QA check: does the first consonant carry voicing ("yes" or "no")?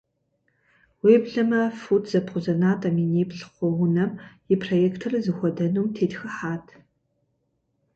yes